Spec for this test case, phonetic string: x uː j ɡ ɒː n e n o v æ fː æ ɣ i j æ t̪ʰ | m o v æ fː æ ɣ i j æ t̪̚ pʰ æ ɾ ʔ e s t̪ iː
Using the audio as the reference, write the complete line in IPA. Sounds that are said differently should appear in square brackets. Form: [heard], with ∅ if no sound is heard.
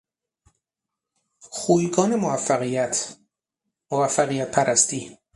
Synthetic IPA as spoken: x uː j ɡ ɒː n e [m] o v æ fː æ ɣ i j æ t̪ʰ | m o v æ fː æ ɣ i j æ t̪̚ pʰ æ ɾ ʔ [æ] s t̪ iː

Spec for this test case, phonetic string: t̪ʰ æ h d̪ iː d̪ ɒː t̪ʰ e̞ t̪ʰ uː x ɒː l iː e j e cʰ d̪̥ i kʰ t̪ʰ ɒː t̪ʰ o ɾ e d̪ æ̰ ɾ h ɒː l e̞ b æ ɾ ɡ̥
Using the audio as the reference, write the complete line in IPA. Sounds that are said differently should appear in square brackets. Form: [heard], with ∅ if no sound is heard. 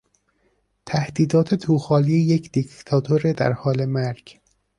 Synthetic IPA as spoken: t̪ʰ æ h d̪ iː d̪ ɒː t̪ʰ e̞ t̪ʰ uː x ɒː l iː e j e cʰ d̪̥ i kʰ t̪ʰ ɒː t̪ʰ o ɾ e d̪ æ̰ ɾ h ɒː l e̞ [m] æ ɾ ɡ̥

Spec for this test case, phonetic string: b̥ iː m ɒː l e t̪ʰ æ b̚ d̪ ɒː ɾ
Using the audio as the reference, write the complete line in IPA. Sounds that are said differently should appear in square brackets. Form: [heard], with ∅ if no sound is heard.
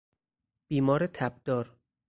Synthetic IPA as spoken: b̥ iː m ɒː [ɾ] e t̪ʰ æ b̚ d̪ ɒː ɾ

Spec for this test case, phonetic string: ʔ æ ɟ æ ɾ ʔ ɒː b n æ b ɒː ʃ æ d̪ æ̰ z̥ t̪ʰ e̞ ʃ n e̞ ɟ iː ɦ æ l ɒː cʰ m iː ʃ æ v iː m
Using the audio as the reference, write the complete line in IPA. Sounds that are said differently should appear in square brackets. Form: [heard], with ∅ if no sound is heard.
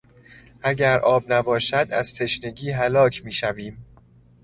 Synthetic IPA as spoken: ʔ æ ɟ æ ɾ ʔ ɒː b n æ b ɒː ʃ æ d̪ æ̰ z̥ t̪ʰ e̞ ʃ n e̞ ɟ iː ɦ æ l ɒː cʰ m iː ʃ æ v iː m

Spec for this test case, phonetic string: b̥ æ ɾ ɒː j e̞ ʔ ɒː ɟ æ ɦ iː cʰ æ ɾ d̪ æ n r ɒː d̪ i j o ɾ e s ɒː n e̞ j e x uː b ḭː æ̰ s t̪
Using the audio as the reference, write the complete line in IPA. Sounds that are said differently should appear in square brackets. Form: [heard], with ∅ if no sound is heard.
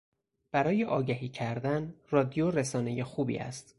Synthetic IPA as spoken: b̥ æ ɾ ɒː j e̞ ʔ ɒː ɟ æ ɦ iː cʰ æ ɾ d̪ æ n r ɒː d̪ i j o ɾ e s ɒː n e̞ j e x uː b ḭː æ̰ s t̪

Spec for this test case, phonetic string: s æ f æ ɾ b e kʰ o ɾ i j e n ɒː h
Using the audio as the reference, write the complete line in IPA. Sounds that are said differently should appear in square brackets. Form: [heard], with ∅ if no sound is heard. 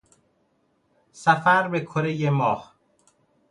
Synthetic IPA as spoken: s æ f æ ɾ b e kʰ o ɾ [e] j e [m] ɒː h

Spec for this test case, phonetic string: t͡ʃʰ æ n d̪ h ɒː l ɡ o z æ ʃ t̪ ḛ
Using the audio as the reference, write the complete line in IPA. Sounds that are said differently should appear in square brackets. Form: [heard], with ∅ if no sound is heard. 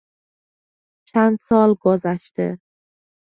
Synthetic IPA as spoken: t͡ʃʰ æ n d̪ [s] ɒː l ɡ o z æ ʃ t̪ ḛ

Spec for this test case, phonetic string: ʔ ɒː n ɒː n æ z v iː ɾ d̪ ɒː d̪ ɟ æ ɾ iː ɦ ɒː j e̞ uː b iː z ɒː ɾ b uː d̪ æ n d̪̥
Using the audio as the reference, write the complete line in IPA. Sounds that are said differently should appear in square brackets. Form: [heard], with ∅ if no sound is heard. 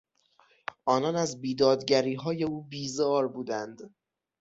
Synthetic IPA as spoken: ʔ ɒː n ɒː n æ z [b] iː [∅] d̪ ɒː d̪ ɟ æ ɾ iː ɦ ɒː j e̞ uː b iː z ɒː ɾ b uː d̪ æ n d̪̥

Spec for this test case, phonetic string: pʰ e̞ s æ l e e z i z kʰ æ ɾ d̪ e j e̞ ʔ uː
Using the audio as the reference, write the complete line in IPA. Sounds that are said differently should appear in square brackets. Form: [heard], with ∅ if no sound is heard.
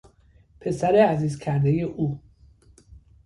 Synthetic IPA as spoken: pʰ e̞ s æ [ɾ] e [æ] z [iː] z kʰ æ ɾ d̪ e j e̞ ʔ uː

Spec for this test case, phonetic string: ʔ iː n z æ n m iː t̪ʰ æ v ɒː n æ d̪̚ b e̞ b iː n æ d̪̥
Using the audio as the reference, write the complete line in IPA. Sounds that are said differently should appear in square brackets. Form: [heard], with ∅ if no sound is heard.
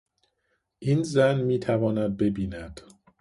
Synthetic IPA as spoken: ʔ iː n z æ n m iː t̪ʰ æ v ɒː n æ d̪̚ b e̞ b iː n æ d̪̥

